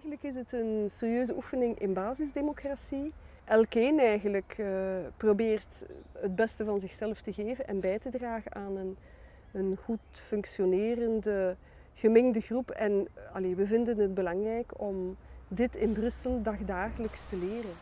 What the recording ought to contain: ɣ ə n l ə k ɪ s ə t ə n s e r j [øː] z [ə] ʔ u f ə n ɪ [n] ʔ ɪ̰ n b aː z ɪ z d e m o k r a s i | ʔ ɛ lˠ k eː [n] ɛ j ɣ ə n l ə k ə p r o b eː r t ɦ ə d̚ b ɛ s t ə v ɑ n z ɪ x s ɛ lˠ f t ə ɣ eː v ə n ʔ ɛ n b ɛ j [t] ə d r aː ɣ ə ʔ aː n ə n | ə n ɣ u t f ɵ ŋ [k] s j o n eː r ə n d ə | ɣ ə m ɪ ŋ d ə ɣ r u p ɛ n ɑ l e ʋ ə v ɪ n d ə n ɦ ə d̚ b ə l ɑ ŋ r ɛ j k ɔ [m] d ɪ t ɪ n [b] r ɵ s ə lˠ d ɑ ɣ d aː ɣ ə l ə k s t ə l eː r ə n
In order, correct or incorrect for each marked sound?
correct, correct, incorrect, correct, correct, correct, correct, correct

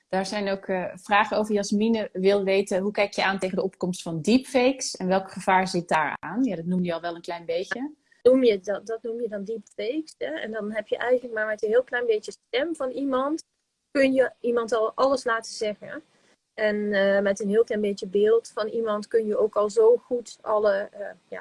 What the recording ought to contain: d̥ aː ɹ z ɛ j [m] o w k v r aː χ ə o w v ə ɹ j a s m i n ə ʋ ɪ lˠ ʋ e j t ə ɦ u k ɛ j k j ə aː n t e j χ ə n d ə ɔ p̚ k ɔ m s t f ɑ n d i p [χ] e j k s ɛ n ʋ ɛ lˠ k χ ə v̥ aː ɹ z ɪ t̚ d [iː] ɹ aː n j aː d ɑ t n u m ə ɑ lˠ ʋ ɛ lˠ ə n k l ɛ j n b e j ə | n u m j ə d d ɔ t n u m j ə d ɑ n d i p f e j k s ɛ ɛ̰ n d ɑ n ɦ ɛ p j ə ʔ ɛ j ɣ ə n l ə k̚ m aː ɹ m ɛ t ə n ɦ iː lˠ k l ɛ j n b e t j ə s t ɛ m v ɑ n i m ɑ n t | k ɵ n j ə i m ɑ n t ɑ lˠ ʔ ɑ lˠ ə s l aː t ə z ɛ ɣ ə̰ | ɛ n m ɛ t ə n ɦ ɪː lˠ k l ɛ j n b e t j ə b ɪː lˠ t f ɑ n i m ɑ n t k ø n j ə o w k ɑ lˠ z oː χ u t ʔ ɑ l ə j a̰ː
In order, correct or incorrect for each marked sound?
incorrect, incorrect, incorrect

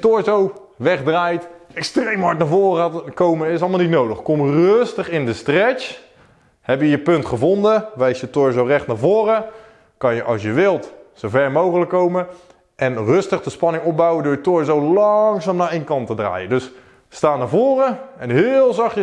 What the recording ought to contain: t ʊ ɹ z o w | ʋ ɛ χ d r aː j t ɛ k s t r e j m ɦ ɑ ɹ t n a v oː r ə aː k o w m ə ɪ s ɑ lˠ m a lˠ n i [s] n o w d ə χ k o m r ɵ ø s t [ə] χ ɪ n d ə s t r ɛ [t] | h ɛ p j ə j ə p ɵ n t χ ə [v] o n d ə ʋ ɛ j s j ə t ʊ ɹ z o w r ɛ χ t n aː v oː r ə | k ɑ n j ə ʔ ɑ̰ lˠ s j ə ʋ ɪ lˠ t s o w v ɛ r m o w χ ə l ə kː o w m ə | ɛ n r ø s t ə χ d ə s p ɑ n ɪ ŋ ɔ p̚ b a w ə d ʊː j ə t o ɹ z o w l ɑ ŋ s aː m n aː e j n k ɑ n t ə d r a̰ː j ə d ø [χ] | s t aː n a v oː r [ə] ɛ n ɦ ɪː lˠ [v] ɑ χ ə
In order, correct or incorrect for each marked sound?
incorrect, correct, incorrect, correct, incorrect, correct, incorrect

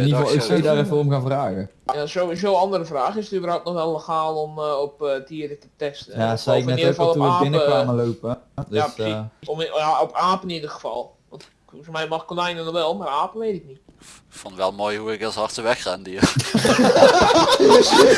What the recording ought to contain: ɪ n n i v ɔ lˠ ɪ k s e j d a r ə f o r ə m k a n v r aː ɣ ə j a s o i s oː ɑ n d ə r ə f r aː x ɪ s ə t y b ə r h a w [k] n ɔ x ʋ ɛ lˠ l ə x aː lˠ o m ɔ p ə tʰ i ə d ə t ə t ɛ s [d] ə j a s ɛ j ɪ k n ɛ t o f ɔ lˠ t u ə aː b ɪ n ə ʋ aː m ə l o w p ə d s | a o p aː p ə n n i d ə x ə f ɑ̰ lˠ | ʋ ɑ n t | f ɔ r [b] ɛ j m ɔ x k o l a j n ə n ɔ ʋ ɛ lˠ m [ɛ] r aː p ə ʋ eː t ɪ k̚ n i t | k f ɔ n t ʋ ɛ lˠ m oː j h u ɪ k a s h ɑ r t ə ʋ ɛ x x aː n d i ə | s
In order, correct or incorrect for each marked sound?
incorrect, incorrect, incorrect, incorrect

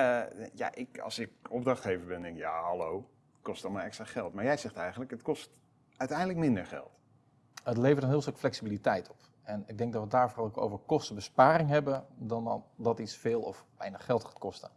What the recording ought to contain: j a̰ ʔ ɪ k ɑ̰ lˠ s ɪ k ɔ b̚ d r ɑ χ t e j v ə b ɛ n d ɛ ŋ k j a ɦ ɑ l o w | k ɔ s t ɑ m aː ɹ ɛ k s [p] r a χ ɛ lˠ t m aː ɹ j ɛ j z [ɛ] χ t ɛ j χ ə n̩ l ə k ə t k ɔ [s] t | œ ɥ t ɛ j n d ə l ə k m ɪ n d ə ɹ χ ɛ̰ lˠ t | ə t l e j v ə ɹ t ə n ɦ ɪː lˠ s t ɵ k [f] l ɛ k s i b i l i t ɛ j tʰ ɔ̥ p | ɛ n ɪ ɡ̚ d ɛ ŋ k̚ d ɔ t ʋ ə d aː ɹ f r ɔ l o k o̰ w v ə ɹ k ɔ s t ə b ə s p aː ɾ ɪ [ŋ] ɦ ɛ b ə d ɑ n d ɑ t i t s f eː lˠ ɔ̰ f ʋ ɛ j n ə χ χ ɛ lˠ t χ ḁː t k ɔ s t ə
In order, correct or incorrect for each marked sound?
incorrect, correct, correct, correct, correct

